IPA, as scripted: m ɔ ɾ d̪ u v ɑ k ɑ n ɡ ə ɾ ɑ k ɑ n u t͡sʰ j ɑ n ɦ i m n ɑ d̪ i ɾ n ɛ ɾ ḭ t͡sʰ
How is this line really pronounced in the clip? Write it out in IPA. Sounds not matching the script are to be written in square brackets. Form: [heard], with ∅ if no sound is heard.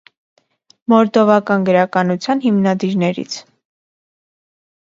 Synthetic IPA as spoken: m ɔ ɾ d̪ [ɔ] v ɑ k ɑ n ɡ ə ɾ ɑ k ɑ n u t͡sʰ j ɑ n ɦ i m n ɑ d̪ i ɾ n ɛ ɾ ḭ t͡sʰ